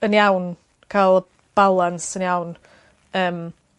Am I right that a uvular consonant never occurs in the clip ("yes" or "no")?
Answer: yes